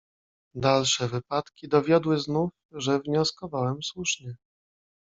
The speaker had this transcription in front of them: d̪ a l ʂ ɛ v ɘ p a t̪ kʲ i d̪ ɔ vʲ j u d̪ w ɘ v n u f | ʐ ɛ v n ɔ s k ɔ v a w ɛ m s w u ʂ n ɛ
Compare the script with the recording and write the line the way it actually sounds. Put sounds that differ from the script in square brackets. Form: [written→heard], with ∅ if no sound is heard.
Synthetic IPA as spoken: d̪ a l ʂ ɛ v ɘ p a t̪ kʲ i d̪ ɔ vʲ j [u→ɔ] d̪ w ɘ [v→z] n u f | ʐ ɛ v [n→ɲ] ɔ s k ɔ v a w ɛ m s w u ʂ [n→ɲ] ɛ